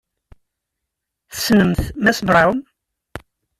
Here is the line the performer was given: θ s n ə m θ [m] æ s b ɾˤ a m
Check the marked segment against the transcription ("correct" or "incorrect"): correct